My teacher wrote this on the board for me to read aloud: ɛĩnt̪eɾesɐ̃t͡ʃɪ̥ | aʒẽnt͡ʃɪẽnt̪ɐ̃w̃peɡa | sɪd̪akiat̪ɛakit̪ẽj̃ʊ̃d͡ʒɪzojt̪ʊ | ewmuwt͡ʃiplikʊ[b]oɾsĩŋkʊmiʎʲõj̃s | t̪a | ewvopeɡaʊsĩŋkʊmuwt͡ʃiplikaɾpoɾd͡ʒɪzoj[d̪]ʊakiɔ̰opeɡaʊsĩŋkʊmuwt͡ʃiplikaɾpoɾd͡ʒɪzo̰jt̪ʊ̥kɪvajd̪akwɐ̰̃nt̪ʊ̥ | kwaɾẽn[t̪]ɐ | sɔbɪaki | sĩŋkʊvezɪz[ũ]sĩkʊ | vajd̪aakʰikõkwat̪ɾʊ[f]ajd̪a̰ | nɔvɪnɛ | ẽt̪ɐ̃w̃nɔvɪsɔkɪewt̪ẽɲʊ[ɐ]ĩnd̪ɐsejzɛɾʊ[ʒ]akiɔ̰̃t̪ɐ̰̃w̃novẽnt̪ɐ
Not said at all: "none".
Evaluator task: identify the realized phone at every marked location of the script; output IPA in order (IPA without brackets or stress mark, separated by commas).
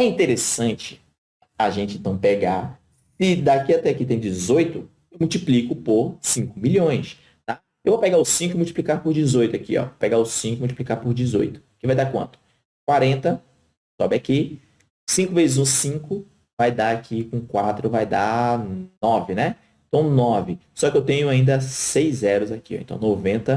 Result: p, t̪, t̪, ũ, v, a, z